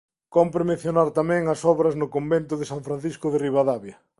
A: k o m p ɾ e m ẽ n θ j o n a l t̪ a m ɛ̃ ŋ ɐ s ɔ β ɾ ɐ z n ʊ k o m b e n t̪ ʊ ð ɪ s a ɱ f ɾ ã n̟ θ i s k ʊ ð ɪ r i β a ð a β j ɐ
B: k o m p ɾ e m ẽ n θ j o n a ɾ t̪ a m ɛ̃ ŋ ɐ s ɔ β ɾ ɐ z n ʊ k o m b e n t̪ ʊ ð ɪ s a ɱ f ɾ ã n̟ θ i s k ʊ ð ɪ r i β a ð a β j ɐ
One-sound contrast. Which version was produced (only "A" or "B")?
B